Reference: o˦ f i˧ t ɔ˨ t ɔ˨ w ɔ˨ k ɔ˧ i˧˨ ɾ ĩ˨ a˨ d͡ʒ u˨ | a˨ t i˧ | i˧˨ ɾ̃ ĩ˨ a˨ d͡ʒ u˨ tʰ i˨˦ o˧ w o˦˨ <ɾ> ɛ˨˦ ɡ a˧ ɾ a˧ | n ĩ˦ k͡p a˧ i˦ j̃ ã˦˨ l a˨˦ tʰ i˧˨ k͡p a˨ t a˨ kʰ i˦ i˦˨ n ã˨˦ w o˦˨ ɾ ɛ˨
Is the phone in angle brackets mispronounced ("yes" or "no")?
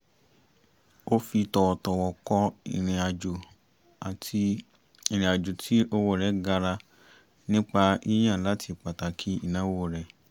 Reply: no